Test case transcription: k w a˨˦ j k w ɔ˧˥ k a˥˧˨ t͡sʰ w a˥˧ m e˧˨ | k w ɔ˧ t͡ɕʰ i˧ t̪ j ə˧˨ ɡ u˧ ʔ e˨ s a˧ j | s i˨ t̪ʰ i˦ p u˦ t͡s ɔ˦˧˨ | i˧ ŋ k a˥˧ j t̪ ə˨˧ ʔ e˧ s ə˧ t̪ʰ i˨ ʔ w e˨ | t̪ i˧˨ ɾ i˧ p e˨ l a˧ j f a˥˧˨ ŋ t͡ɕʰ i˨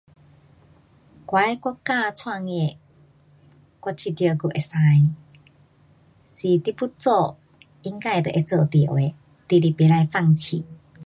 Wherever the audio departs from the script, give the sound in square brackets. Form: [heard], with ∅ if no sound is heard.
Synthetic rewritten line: k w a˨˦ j k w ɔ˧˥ k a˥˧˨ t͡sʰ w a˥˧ [ŋ] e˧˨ | k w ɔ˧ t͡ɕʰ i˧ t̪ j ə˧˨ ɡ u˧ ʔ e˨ s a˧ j | s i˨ [t̪] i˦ p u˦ t͡s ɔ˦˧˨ | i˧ ŋ k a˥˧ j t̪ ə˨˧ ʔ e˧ [t͡s] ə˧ [t̪] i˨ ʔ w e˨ | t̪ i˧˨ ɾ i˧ p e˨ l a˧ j f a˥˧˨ ŋ t͡ɕʰ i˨